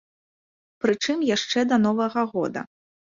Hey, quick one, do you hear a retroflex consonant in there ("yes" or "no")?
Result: yes